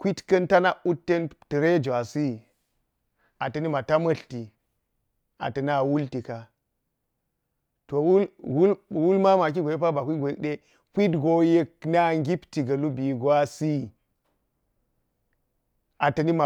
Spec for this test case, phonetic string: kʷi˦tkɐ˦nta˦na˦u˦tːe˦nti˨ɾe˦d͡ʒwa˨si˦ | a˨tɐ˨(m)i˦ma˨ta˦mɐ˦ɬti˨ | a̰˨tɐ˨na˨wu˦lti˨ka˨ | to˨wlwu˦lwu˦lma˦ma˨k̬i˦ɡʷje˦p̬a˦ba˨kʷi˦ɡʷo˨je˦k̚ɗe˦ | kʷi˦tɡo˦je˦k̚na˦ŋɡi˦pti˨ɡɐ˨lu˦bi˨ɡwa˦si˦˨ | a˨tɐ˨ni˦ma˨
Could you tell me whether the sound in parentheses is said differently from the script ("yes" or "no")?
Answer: yes